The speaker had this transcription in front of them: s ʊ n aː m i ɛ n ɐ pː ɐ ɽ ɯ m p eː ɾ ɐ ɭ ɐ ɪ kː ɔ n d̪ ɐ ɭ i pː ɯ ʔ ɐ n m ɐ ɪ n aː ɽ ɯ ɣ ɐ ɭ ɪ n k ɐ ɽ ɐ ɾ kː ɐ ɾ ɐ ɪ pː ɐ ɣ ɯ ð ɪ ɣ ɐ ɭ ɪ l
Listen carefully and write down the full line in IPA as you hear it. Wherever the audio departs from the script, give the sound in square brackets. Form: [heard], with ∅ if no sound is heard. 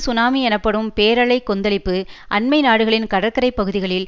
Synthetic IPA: s ʊ n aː m i ɛ n ɐ pː ɐ ɽ ɯ m p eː ɾ ɐ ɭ ɐ ɪ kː ɔ n d̪ ɐ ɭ [ɪ] pː ɯ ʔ ɐ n m ɐ ɪ n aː ɽ ɯ ɣ ɐ ɭ ɪ n k ɐ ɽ ɐ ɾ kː ɐ ɾ ɐ ɪ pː ɐ ɣ ɯ ð ɪ ɣ ɐ ɭ ɪ l